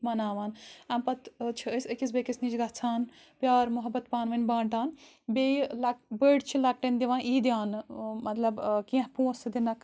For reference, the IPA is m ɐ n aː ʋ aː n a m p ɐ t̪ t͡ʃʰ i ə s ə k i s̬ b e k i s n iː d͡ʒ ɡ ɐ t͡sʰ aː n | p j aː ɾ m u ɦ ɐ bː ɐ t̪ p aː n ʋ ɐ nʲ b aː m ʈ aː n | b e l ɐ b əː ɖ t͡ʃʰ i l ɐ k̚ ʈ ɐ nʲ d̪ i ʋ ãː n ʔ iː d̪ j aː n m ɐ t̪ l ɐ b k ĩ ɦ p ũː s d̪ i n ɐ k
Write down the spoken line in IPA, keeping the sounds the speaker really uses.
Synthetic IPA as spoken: m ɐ n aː ʋ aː n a m p ɐ t̪ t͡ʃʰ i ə s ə k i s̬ b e k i s n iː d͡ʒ ɡ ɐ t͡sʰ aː n | p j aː ɾ m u ɦ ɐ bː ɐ t̪ p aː n ʋ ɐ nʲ b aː ɳ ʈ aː n | b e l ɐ b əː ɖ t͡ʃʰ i l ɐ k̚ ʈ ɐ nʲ d̪ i ʋ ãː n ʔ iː d̪ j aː n m ɐ t̪ l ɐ b k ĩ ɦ p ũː s d̪ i n ɐ k